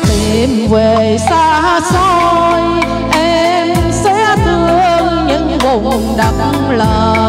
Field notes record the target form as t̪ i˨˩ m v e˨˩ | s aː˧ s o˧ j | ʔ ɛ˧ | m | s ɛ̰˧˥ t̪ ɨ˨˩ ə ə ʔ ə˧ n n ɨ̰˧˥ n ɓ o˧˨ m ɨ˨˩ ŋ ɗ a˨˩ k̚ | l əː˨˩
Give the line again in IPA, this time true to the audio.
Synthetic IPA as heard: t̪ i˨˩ m v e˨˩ | s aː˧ s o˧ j | ʔ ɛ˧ | m | s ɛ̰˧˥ t̪ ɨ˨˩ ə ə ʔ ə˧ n ɲ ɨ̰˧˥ ŋ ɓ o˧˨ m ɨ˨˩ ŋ ɗ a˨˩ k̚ | l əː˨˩